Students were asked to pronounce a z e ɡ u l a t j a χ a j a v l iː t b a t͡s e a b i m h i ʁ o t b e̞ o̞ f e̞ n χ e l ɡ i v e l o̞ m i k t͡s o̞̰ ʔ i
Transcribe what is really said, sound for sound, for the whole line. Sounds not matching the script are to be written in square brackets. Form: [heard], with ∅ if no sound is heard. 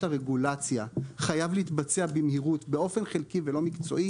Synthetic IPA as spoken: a [ʁ] e ɡ u l a [t͡s] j a χ a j a v l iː t b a t͡s e a b i m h i ʁ [u] t b e̞ o̞ f e̞ n χ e l [k] i v e l o̞ m i k t͡s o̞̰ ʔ i